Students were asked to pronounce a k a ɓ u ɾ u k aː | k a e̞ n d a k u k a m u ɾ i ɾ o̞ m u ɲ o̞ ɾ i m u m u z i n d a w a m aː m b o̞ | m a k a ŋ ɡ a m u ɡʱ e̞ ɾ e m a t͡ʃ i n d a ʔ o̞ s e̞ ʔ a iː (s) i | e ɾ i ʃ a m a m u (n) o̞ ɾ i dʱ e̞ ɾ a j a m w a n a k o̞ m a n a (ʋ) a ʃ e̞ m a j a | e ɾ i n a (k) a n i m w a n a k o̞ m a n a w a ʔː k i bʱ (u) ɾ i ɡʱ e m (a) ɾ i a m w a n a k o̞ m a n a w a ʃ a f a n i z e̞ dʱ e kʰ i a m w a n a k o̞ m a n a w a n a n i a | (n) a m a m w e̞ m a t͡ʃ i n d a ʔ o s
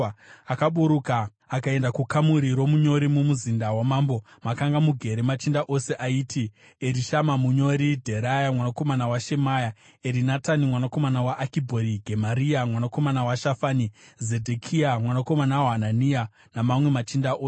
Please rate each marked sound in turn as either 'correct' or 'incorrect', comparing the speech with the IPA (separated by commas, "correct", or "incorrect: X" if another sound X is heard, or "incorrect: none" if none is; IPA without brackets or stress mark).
incorrect: t, incorrect: ɲ, incorrect: w, incorrect: t, incorrect: o, correct, correct